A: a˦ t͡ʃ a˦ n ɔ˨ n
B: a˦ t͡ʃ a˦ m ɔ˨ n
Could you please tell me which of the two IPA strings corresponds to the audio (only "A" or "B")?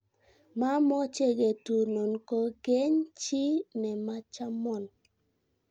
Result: B